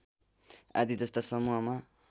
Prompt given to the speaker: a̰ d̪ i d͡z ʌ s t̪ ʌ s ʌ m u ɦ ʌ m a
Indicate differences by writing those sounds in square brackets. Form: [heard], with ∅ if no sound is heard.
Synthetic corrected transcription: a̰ d̪ i d͡z ʌ s t̪ [a] s ʌ m u ɦ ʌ m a